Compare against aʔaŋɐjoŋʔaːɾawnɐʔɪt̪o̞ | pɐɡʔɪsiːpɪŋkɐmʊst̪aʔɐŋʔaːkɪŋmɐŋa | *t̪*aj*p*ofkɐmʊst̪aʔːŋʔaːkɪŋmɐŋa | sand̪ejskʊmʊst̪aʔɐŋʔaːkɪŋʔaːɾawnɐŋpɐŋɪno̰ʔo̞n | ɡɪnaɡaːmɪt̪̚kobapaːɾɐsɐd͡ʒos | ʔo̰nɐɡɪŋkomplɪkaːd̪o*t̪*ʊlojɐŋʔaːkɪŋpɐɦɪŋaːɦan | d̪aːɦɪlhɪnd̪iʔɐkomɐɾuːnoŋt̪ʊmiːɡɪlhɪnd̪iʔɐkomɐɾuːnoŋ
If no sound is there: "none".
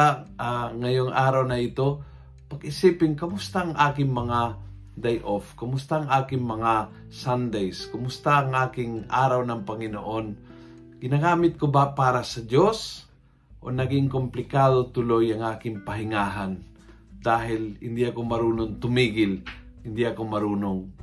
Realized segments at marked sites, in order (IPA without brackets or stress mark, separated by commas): d̪, ʔ, t̪